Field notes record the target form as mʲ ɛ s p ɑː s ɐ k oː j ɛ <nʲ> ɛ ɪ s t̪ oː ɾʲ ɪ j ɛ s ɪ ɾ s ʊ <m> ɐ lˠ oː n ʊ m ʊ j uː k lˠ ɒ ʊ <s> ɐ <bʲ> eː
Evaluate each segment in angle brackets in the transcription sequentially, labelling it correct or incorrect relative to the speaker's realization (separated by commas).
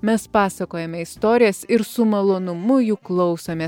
incorrect, correct, correct, incorrect